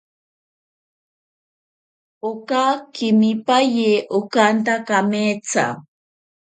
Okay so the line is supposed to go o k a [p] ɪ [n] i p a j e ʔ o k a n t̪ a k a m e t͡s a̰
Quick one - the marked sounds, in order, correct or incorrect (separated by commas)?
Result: incorrect, incorrect